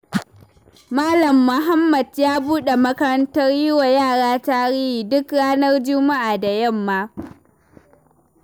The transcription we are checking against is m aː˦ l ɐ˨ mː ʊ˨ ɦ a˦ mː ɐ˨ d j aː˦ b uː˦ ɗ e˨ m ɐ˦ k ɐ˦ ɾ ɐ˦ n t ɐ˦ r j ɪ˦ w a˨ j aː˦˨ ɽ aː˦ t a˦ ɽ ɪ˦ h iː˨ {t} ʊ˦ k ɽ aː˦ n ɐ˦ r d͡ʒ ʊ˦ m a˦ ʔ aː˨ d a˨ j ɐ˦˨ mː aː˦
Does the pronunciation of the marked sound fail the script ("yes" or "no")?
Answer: yes